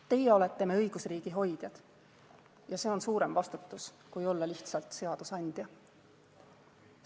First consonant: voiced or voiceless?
voiceless